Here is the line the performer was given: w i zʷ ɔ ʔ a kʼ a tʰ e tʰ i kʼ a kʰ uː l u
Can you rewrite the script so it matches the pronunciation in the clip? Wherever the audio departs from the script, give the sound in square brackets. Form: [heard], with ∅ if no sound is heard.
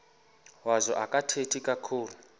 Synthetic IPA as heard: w [a] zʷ ɔ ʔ a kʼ a tʰ e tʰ i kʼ a kʰ uː l u